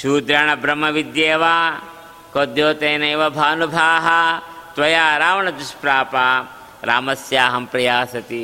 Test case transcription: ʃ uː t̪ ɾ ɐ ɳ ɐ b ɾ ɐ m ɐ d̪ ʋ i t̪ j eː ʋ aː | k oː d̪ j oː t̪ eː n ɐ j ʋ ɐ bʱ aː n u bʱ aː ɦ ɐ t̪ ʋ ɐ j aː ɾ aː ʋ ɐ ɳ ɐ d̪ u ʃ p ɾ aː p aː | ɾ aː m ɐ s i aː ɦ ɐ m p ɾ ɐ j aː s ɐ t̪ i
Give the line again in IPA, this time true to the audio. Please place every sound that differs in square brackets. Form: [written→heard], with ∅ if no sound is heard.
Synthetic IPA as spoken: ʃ uː [t̪→d̪] ɾ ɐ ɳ ɐ b ɾ ɐ m ɐ [d̪→∅] ʋ i [t̪→d̪] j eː ʋ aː | k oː d̪ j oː t̪ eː n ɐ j ʋ ɐ bʱ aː n u bʱ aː ɦ ɐ t̪ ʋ ɐ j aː ɾ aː ʋ ɐ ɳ ɐ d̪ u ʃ p ɾ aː p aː | ɾ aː m ɐ s [i→j] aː ɦ ɐ m p ɾ ɐ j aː s ɐ t̪ i